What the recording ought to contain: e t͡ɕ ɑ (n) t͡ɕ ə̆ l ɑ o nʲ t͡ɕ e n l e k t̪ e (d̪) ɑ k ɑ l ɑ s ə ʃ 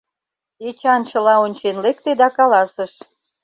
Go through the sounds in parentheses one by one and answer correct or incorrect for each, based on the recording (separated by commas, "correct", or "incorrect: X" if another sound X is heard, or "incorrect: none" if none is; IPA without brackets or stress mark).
correct, correct